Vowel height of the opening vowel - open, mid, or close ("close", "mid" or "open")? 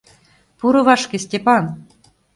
close